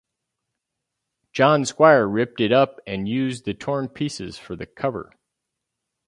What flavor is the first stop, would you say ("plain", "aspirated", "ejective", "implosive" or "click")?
plain